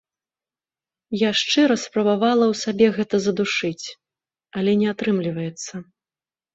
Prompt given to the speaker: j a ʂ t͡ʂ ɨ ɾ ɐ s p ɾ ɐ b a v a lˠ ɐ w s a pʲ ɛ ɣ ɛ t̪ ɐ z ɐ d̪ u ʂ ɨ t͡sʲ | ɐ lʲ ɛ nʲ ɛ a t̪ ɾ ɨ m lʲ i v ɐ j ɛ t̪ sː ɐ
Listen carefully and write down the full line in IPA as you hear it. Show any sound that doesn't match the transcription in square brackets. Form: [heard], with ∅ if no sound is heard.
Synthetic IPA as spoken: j a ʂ t͡ʂ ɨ ɾ ɐ s p ɾ ɐ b a v a lˠ ɐ w s a [bʲ] ɛ ɣ ɛ t̪ ɐ z ɐ d̪ u ʂ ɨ t͡sʲ | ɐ lʲ ɛ nʲ ɛ a t̪ ɾ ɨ m lʲ i v ɐ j ɛ t̪ sː ɐ